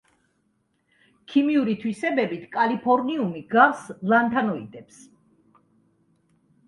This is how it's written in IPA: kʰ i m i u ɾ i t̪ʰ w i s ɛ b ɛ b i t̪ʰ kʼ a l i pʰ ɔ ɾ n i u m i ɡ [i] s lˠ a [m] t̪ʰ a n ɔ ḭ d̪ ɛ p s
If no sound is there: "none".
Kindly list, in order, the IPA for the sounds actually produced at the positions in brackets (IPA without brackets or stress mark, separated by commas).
a, n